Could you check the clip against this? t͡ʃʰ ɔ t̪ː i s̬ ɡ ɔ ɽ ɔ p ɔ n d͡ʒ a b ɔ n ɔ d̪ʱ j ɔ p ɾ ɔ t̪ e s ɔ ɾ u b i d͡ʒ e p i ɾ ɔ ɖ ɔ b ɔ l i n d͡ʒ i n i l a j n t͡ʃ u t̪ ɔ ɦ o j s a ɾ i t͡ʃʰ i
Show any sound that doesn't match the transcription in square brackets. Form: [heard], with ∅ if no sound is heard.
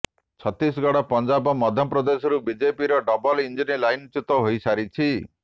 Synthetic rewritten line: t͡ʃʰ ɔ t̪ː i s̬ ɡ ɔ ɽ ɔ p ɔ n d͡ʒ a b ɔ [m] ɔ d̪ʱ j ɔ p ɾ ɔ [d̪] e s ɔ ɾ u b i d͡ʒ e p i ɾ ɔ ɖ ɔ b ɔ l i n d͡ʒ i n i l a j n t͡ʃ u t̪ ɔ ɦ o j s a ɾ i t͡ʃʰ i